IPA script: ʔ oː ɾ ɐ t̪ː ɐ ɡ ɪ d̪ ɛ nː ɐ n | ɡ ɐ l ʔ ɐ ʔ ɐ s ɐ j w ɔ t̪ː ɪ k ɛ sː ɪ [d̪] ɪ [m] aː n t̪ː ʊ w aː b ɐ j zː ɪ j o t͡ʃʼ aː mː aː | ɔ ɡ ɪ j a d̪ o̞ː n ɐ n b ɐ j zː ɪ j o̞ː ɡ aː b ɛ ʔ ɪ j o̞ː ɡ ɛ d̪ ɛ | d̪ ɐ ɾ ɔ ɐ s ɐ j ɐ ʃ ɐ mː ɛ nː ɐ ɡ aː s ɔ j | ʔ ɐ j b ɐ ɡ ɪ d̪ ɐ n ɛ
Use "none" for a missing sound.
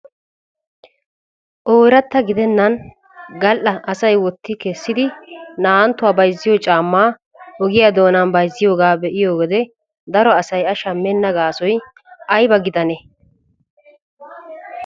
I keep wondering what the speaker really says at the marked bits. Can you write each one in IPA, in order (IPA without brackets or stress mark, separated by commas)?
d̪, n